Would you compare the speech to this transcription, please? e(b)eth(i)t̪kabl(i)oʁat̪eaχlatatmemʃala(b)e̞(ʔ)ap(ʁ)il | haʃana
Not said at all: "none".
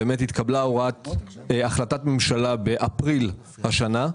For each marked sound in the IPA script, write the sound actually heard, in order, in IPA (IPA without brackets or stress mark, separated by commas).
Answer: m, i, a, b, ʔ, ʁ